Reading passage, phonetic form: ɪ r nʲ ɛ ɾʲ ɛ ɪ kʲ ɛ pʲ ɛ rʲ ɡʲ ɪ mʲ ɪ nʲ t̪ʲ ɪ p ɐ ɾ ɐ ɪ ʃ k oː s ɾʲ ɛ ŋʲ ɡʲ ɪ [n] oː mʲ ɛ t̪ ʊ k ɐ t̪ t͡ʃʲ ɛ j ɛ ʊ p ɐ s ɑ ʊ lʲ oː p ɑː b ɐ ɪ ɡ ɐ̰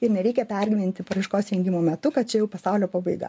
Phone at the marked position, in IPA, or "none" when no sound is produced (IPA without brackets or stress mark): m